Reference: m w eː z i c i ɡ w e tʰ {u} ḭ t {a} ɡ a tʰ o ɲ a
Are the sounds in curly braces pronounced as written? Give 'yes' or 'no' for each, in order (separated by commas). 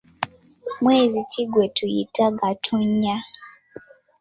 yes, yes